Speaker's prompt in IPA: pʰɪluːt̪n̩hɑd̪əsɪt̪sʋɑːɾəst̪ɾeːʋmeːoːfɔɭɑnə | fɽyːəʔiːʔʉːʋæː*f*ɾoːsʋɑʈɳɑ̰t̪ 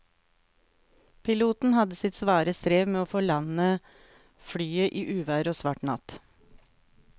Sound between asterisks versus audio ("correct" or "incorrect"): incorrect